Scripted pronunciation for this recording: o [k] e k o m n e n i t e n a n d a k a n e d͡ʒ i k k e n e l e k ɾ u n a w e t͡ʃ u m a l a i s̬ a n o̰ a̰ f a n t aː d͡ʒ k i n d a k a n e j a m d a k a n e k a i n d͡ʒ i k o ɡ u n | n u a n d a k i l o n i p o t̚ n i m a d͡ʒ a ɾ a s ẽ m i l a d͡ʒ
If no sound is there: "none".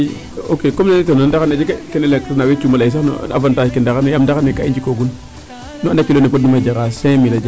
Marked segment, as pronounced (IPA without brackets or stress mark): k